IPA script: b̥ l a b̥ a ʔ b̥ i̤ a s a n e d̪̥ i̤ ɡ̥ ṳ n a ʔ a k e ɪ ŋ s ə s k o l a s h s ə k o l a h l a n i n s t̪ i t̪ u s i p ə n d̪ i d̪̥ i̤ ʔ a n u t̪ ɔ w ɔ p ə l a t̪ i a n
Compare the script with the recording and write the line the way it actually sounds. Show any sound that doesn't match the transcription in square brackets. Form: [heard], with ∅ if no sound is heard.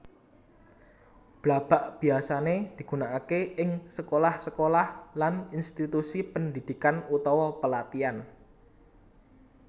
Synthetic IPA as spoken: b̥ l a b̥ a ʔ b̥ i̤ a s a n e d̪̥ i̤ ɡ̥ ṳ n a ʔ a k e ɪ ŋ s ə [∅] k o l a [∅] h s ə k o l a h l a n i n s t̪ i t̪ u s i p ə n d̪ i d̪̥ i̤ [k] a n u t̪ ɔ w ɔ p ə l a t̪ i a n